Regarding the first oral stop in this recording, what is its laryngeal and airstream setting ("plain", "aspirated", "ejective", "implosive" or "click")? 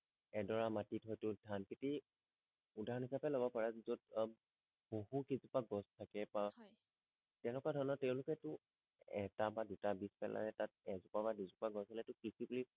plain